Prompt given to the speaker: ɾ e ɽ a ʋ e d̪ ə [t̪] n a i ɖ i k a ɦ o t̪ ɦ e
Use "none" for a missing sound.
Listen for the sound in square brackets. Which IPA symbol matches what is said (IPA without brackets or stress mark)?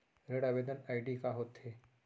none